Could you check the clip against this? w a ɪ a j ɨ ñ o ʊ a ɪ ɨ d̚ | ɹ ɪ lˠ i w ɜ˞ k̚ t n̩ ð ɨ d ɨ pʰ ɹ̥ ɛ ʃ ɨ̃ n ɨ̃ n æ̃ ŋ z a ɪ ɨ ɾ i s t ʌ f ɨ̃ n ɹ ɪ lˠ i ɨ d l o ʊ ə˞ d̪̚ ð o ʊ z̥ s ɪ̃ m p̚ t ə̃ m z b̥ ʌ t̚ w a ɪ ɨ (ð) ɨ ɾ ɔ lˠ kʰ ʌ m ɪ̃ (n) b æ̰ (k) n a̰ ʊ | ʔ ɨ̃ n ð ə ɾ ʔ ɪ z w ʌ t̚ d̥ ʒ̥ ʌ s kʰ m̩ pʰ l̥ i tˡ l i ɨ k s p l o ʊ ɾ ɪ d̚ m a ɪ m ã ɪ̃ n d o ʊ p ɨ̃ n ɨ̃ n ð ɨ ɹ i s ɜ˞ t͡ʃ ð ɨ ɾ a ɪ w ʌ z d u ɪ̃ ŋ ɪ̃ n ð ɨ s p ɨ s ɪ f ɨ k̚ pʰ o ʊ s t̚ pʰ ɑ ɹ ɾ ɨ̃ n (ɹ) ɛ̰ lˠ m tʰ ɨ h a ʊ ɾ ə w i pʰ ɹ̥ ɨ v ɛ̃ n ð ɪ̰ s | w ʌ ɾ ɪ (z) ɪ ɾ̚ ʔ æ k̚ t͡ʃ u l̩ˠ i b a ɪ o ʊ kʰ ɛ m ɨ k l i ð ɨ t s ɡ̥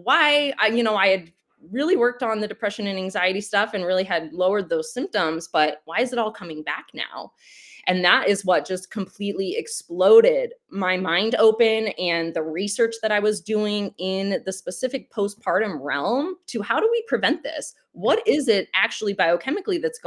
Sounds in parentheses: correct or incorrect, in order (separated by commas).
incorrect, incorrect, correct, correct, correct